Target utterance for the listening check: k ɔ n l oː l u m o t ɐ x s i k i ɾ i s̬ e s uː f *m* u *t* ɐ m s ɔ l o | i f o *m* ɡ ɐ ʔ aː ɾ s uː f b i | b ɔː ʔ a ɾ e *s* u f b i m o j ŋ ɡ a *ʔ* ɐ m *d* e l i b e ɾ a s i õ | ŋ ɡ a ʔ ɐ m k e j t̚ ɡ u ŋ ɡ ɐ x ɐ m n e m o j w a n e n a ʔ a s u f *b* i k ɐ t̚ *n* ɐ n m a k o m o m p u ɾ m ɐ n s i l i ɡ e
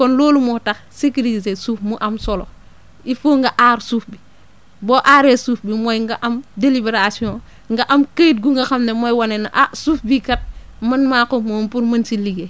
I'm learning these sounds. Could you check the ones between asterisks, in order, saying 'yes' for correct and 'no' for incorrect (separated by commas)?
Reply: yes, no, no, yes, yes, yes, yes, no